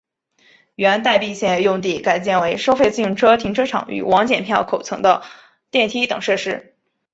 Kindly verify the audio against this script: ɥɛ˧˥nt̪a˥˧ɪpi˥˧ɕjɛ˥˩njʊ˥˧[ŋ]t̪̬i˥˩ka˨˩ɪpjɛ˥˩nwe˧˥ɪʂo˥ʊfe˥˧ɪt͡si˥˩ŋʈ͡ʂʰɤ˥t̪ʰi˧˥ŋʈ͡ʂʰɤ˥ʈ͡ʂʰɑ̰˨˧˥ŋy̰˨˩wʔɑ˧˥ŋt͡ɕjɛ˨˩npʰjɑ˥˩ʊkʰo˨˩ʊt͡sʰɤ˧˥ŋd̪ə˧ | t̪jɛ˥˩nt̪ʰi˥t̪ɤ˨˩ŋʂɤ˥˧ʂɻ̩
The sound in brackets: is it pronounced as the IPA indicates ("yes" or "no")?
yes